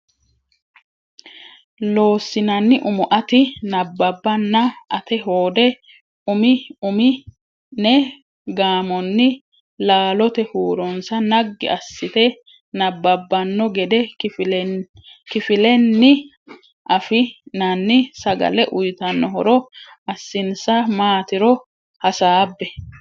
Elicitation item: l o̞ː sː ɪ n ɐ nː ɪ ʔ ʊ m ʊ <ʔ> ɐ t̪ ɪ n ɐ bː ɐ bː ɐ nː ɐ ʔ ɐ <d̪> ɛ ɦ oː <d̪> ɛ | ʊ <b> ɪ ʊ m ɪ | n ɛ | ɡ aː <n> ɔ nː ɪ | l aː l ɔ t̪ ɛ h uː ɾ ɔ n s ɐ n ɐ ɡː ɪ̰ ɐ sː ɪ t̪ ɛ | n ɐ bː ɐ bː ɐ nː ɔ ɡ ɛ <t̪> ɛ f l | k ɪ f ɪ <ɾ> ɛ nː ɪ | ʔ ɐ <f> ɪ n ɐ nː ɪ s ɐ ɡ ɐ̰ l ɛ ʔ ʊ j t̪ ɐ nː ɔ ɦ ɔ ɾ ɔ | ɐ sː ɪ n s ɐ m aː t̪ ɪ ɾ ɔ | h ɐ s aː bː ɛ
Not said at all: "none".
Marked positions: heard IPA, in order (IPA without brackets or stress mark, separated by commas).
ʔ, t̪, d̪, m, m, d̪, l, f